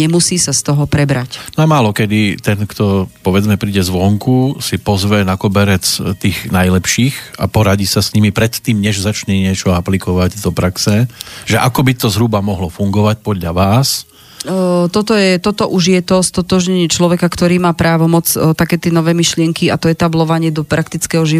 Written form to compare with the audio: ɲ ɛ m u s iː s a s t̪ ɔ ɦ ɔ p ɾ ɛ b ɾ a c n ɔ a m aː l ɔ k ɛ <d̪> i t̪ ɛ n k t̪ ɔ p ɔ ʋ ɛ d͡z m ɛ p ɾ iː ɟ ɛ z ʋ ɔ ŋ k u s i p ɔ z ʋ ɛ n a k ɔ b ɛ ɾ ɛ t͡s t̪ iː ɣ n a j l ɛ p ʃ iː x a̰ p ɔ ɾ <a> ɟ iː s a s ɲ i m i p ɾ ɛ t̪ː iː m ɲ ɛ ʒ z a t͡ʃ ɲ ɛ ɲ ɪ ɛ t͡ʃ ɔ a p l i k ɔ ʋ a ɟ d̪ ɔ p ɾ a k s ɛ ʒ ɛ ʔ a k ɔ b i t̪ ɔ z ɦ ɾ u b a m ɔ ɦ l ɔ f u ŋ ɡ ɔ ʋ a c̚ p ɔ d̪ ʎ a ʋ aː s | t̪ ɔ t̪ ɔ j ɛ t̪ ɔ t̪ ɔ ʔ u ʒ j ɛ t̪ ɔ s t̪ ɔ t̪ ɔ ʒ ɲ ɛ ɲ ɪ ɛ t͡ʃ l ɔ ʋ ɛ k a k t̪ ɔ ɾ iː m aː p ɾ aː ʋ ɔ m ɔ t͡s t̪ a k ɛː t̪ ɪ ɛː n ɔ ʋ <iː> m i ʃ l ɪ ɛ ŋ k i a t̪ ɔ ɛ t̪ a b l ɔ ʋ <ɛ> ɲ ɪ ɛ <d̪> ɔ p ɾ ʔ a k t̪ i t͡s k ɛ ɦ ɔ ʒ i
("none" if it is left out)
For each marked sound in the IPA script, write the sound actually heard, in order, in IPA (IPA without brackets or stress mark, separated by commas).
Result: d̪, a, ɛː, a, d̪